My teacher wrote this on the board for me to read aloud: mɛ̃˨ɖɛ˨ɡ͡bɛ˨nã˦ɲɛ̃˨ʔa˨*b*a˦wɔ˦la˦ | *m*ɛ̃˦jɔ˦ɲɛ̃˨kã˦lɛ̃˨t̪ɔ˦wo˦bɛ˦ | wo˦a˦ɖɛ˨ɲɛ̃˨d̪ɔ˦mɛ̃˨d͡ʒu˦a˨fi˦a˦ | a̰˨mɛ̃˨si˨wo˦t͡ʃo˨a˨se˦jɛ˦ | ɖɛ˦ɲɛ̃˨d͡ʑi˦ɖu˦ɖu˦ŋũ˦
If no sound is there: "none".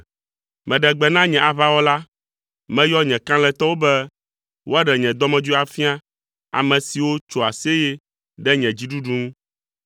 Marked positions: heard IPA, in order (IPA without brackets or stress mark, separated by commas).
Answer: β, m